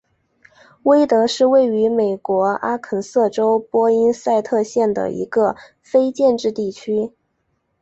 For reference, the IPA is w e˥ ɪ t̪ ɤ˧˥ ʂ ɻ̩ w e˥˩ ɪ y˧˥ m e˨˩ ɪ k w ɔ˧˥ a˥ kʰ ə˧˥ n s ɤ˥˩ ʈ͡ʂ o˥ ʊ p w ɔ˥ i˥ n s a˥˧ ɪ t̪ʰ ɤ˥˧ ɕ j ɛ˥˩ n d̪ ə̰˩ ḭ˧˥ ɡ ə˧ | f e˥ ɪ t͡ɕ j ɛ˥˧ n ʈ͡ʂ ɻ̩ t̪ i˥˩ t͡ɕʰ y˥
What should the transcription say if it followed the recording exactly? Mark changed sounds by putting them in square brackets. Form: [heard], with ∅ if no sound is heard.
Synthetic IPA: w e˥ ɪ t̪ ɤ˧˥ ʂ ɻ̩ w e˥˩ ɪ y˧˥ m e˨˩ ɪ k w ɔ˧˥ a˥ kʰ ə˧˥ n s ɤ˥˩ ʈ͡ʂ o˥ ʊ p w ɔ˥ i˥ n s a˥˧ ɪ t̪ʰ ɤ˥˧ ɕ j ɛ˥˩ n d̪ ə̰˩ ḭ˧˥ ɡ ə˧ | f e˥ ɪ t͡ɕ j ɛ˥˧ n ʈ͡ʂ ɻ̩ t̪ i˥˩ t͡ɕʰ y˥